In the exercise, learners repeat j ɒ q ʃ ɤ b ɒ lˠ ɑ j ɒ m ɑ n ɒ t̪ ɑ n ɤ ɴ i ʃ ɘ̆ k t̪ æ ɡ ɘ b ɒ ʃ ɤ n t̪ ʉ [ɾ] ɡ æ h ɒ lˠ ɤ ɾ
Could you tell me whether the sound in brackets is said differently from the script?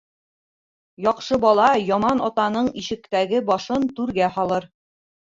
no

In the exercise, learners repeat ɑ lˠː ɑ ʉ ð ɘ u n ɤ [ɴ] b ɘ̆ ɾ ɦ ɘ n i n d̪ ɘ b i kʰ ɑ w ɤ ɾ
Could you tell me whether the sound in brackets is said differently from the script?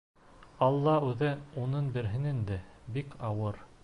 yes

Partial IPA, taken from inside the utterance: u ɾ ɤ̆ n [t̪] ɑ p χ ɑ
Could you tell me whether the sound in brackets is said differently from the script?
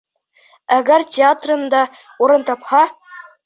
no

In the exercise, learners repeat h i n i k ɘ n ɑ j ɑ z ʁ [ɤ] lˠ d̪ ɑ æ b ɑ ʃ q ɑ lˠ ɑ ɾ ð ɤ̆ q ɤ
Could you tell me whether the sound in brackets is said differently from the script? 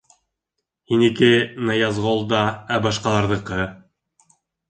yes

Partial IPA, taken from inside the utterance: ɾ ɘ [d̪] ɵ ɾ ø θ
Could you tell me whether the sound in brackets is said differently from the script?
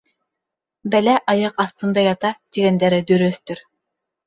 no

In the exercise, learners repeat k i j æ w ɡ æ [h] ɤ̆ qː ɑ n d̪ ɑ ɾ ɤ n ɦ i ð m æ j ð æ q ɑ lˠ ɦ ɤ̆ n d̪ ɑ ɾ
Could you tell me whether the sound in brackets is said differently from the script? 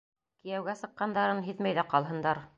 yes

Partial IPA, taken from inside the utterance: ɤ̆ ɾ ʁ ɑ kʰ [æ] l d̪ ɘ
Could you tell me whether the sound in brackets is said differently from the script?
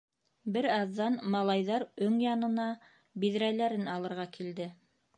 yes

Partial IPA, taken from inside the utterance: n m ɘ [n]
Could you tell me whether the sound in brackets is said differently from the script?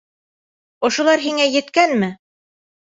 yes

